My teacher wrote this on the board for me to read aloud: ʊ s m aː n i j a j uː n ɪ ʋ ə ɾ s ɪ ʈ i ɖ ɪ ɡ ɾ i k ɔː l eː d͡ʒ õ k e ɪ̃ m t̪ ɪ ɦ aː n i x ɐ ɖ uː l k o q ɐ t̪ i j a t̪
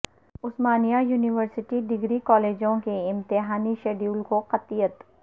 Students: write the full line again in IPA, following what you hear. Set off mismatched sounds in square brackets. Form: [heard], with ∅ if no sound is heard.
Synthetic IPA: ʊ s m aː n i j a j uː n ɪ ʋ ə ɾ s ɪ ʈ i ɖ ɪ ɡ ɾ i k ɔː l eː d͡ʒ õ k e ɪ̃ m t̪ ɪ ɦ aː n i [ʃ] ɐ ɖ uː l k o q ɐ t̪ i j [ə] t̪